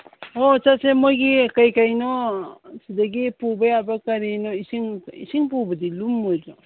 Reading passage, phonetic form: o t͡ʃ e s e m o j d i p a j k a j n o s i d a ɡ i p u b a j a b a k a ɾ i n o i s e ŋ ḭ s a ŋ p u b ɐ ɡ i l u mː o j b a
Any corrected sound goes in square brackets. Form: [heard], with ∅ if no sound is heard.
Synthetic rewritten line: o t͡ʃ [a] s e m o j [ɡ] i [k] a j k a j n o s i d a ɡ i p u b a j a b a k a ɾ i n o i s [i] ŋ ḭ s [i] ŋ p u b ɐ [d] i l u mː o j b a